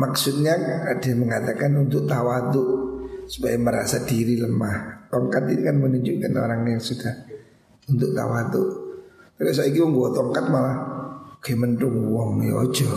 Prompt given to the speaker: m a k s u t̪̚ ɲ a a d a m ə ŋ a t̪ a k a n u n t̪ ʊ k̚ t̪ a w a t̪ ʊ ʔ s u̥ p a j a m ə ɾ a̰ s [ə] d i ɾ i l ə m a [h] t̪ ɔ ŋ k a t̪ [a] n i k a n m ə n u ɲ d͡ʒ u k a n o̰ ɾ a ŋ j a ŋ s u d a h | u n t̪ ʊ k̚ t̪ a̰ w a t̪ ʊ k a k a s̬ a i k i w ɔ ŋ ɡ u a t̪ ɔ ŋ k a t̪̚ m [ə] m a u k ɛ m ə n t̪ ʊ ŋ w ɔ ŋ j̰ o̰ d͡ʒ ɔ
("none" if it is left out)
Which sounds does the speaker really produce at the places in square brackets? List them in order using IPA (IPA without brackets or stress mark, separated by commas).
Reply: a, h, i, a